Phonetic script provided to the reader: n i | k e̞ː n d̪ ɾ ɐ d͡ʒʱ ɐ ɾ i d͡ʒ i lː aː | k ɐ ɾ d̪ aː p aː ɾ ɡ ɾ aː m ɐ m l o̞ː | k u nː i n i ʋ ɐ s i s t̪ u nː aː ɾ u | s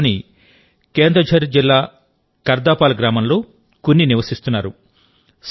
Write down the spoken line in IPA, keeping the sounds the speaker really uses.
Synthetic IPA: n i | k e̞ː n d̪ ɾ ɐ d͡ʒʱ ɐ ɾ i d͡ʒ i lː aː | k ɐ ɾ d̪ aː p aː l ɡ ɾ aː m ɐ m l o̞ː | k u nː i n i ʋ ɐ s i s t̪ u nː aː ɾ u | s

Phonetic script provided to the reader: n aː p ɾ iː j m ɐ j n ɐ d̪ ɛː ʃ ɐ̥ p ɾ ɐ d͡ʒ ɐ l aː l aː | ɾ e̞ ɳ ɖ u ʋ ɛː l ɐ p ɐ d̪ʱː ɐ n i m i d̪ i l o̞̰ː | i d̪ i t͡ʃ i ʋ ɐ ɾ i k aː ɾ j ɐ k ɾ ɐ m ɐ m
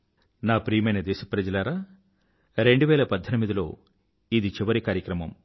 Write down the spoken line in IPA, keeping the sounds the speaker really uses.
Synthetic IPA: n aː p ɾ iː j m ɐ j n ɐ d̪ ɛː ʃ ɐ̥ p ɾ ɐ d͡ʒ ɐ l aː ɾ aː | ɾ e̞ ɳ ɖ u ʋ ɛː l ɐ p ɐ d̪ʱː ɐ n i m i d̪ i l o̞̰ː | i d̪ i t͡ʃ i ʋ ɐ ɾ i k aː ɾ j ɐ k ɾ ɐ m ɐ m

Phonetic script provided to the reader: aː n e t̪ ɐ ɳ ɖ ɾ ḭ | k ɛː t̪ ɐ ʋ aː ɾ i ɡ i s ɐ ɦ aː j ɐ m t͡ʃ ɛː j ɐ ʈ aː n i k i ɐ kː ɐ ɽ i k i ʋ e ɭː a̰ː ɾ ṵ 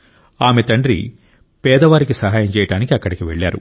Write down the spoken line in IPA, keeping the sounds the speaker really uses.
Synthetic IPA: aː m e t̪ ɐ ɳ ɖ ɾ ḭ | p ɛː d̪ ɐ ʋ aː ɾ i k i s ɐ ɦ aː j ɐ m t͡ʃ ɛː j ɐ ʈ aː n i k i ɐ kː ɐ ɽ i k i ʋ e ɭː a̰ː ɾ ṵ

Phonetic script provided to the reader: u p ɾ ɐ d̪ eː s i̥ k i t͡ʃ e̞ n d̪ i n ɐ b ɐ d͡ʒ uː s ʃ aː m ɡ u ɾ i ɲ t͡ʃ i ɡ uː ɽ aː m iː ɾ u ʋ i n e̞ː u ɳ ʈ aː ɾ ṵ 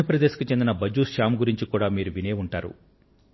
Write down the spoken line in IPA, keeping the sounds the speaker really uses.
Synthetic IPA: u p ɾ ɐ d̪ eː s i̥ k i t͡ʃ e̞ n d̪ i n ɐ b ɐ d͡ʒ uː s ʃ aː m ɡ u ɾ i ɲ t͡ʃ i k uː ɽ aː m iː ɾ u ʋ i n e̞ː u ɳ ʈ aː ɾ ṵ

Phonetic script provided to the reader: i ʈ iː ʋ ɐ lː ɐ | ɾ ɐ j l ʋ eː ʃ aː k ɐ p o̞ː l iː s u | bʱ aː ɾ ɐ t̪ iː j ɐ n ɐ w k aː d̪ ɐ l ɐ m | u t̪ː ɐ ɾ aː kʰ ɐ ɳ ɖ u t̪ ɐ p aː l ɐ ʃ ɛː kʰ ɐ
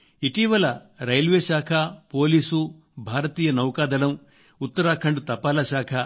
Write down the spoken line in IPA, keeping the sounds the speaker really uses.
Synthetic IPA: i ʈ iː ʋ ɐ l ɐ | ɾ ɐ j l ʋ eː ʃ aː kʰ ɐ p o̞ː l iː s u | bʱ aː ɾ ɐ t̪ iː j ɐ n ɐ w k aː d̪ ɐ l ɐ m | u t̪ː ɐ ɾ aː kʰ ɐ ɳ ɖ u t̪ ɐ p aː l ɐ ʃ aː kʰ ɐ

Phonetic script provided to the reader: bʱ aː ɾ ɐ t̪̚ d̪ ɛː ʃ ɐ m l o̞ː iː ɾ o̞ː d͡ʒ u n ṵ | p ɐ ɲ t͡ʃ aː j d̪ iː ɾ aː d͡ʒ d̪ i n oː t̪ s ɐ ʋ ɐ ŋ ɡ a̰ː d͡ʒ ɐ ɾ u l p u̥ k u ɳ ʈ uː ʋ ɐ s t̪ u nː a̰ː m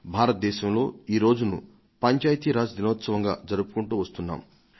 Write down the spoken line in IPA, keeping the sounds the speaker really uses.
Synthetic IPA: bʱ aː ɾ ɐ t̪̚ d̪ ɛː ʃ ɐ m l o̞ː iː ɾ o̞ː d͡ʒ u n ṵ | p ɐ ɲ t͡ʃ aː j t̪ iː ɾ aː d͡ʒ d̪ i n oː t̪ s ɐ ʋ ɐ ŋ ɡ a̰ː d͡ʒ ɐ ɾ u p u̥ k u ɳ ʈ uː ʋ ɐ s t̪ u nː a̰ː m

